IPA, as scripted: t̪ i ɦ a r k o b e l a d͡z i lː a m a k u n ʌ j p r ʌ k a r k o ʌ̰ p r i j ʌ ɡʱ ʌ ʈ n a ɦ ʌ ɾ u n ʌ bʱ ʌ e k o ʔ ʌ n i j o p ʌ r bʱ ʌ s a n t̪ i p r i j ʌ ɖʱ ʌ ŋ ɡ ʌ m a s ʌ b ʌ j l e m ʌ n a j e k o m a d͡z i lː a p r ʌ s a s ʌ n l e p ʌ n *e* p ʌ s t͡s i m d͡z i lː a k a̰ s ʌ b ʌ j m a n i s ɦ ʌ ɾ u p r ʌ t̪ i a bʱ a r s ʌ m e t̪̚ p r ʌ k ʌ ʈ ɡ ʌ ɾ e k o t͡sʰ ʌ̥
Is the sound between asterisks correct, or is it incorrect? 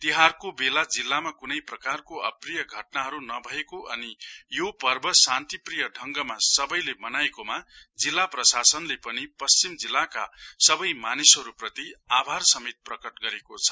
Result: incorrect